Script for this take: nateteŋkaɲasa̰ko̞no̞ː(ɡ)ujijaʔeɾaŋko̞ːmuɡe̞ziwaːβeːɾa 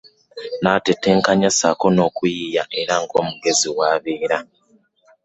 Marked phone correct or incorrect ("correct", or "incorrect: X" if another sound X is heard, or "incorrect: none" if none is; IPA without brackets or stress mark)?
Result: incorrect: k